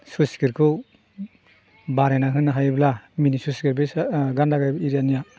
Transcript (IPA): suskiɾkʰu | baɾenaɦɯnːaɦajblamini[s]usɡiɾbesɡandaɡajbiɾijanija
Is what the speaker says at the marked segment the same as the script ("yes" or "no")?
yes